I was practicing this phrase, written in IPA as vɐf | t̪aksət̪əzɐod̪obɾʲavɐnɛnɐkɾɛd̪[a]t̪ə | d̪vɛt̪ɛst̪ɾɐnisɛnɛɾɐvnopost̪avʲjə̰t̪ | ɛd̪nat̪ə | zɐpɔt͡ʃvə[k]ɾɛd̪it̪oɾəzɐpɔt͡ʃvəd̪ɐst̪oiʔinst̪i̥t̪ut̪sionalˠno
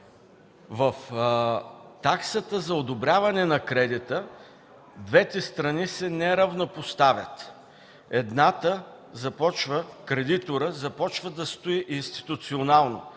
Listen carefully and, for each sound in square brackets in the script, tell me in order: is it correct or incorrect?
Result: incorrect: i, correct

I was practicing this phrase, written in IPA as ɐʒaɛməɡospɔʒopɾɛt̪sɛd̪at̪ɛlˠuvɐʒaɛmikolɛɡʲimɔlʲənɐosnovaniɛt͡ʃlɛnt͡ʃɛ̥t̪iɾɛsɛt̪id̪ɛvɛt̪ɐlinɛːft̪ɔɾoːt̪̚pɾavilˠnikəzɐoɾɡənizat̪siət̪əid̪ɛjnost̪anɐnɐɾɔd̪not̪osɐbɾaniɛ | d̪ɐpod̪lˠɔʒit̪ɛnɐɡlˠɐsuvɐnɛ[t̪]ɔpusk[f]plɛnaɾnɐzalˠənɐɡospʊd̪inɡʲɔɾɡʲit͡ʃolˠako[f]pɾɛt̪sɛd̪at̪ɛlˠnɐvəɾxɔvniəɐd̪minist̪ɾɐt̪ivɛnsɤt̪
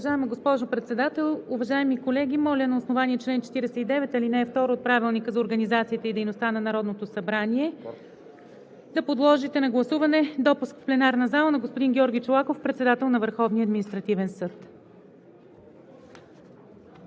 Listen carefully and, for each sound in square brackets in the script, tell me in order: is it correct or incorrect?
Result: incorrect: d̪, correct, correct

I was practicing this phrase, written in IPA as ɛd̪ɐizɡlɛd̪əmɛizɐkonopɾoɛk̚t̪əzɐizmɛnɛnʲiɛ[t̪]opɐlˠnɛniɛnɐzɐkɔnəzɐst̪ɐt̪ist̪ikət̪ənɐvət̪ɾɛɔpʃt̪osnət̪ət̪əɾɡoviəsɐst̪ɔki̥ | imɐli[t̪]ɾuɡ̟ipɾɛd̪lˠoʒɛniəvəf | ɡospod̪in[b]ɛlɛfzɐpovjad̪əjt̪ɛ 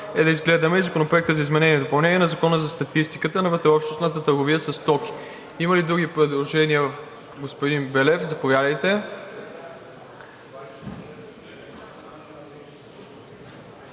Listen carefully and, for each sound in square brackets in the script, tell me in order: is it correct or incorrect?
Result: incorrect: d̪, incorrect: d̪, correct

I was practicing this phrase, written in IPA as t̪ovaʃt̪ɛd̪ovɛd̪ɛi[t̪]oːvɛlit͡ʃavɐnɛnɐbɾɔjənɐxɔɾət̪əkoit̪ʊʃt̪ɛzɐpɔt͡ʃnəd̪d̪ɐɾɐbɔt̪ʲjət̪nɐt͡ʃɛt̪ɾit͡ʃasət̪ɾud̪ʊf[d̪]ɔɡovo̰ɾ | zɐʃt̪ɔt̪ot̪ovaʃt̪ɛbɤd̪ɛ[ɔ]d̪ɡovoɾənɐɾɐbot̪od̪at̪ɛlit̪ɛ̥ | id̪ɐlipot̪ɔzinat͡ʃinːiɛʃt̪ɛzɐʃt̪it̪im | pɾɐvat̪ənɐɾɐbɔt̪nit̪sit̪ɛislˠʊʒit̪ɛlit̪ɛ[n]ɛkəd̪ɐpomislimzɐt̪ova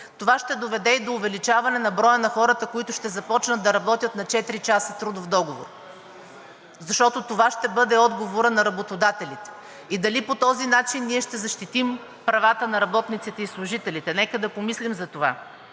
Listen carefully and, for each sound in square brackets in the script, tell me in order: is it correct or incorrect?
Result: incorrect: d̪, correct, correct, correct

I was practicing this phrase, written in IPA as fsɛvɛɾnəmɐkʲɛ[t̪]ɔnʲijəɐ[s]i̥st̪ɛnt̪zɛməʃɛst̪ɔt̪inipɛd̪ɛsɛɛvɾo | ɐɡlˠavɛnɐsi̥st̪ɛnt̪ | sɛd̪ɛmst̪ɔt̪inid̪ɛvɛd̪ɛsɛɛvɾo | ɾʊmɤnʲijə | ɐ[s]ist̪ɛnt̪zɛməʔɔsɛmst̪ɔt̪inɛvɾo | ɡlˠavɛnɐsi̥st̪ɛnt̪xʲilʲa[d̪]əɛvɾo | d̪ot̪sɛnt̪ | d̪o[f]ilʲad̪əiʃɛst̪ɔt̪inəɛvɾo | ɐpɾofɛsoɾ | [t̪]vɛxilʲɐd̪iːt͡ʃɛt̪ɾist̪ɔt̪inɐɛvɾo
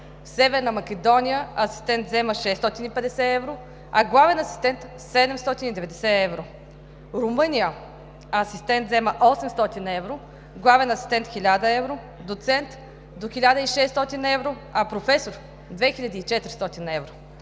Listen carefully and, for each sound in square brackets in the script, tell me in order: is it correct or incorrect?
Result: incorrect: d̪, correct, correct, correct, incorrect: x, incorrect: d̪

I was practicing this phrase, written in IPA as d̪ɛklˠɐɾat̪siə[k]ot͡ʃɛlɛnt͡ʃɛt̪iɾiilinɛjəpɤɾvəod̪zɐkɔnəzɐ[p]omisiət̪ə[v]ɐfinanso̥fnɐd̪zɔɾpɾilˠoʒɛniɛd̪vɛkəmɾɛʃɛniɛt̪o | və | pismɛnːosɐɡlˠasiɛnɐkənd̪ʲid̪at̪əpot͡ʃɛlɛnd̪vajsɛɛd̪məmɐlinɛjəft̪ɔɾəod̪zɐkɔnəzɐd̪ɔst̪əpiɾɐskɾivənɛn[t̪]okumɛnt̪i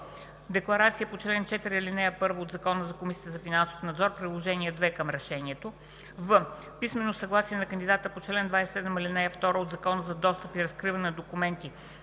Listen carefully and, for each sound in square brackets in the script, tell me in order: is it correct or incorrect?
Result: incorrect: p, incorrect: k, incorrect: z, incorrect: d̪

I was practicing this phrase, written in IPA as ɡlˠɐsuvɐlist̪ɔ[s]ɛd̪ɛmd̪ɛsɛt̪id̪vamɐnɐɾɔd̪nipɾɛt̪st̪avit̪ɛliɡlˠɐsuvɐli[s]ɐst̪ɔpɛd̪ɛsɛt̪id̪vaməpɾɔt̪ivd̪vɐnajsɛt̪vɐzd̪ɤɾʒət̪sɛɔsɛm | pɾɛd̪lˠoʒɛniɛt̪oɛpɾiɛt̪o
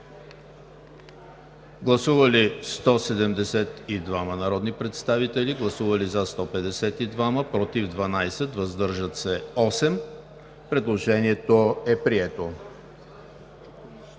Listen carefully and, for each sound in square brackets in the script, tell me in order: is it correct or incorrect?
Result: correct, incorrect: z

